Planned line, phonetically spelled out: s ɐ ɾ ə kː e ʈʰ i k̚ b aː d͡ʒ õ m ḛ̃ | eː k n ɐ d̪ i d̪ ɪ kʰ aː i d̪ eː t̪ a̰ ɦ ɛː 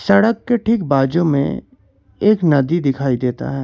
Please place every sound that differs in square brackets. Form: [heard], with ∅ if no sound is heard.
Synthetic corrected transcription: s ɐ [ɽ] ə kː e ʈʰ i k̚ b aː d͡ʒ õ m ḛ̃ | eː k n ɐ d̪ i d̪ ɪ kʰ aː i d̪ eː t̪ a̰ ɦ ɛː